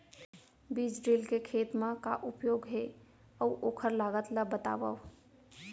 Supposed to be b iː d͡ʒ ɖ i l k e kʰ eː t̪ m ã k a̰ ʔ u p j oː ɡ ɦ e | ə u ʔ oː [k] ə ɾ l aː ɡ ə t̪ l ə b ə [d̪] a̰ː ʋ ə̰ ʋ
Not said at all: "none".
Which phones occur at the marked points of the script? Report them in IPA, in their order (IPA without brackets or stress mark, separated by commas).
kʰ, t̪